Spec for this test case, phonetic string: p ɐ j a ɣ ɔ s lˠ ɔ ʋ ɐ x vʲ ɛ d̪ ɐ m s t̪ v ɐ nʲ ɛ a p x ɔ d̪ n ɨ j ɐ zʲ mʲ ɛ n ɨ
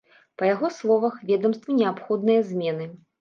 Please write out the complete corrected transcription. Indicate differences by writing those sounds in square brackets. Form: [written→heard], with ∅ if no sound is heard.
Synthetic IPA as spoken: p ɐ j a ɣ ɔ s lˠ ɔ [ʋ→v] ɐ x vʲ ɛ d̪ ɐ m s t̪ v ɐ nʲ ɛ a p x ɔ d̪ n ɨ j ɐ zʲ mʲ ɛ n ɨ